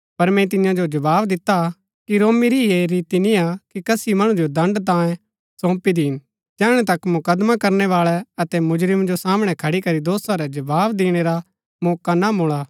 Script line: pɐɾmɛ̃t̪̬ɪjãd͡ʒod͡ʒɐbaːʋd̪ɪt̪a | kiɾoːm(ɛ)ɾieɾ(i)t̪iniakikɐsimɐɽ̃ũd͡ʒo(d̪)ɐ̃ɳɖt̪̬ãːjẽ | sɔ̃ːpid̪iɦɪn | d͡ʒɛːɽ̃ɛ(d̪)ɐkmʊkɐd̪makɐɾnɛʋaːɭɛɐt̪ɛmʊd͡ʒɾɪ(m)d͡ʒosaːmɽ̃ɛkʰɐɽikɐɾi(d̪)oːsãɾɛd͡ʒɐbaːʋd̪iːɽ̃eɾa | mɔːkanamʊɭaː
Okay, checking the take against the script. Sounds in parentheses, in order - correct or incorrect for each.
incorrect, incorrect, correct, incorrect, correct, correct

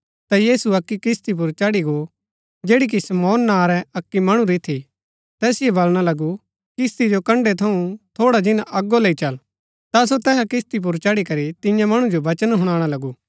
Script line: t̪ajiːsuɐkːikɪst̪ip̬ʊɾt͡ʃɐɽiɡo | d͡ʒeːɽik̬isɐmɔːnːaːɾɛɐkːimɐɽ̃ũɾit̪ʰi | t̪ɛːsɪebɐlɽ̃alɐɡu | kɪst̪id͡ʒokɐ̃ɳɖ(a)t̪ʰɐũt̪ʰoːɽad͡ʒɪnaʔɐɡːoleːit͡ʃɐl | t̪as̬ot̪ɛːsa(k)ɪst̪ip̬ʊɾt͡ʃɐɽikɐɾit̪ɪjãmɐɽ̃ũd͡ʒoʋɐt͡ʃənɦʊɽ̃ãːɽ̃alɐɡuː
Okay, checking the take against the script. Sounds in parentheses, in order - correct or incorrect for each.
incorrect, correct

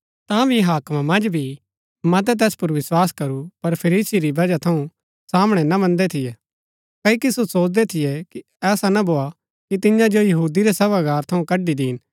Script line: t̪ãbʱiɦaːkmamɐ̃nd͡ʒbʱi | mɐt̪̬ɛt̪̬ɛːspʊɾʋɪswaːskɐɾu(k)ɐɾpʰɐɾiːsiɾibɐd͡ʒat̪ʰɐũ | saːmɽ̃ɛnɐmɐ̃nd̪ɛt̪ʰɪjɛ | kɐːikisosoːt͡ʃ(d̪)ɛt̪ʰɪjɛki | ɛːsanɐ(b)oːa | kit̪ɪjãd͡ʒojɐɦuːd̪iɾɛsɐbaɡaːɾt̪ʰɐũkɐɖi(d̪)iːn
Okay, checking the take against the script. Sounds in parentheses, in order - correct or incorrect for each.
incorrect, correct, correct, correct

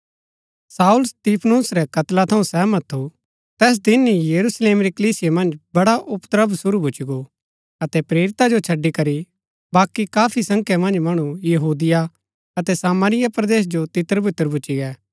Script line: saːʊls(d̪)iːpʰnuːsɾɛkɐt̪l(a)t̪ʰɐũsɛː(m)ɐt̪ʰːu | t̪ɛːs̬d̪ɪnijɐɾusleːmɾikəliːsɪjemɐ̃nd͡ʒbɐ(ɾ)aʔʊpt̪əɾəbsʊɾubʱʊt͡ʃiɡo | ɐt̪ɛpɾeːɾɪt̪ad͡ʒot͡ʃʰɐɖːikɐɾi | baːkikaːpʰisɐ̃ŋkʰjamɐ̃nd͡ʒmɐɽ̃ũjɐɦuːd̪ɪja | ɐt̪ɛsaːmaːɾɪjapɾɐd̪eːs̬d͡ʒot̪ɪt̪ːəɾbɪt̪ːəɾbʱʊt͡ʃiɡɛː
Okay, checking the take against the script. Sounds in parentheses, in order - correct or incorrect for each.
incorrect, correct, correct, incorrect

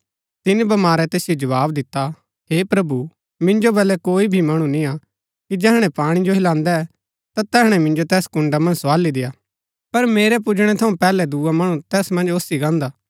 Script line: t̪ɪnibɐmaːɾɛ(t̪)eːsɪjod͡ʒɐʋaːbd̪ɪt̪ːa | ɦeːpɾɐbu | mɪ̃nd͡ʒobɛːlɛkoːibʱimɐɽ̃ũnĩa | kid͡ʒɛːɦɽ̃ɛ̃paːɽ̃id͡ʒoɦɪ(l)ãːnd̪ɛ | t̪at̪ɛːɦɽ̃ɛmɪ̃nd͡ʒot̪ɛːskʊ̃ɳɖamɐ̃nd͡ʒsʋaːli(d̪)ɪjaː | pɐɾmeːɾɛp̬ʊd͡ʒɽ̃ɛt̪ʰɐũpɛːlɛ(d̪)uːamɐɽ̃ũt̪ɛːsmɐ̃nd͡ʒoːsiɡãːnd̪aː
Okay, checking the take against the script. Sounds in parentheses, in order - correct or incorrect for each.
correct, correct, correct, correct

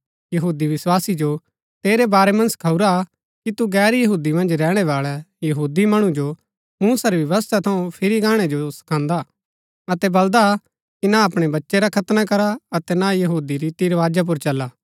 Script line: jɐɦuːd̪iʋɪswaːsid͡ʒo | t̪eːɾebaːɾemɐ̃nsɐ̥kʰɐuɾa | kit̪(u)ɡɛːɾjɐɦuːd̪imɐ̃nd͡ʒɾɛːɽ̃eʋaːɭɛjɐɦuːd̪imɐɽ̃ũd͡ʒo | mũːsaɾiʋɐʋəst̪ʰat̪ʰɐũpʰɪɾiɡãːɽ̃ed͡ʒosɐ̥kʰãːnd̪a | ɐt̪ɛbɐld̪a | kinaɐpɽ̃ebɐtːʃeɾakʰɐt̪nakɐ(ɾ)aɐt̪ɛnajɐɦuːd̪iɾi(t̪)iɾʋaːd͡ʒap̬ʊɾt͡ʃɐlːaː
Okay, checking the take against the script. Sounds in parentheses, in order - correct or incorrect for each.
correct, correct, correct

